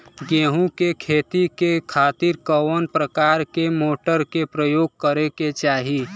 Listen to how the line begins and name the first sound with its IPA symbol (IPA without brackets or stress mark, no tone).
ɡ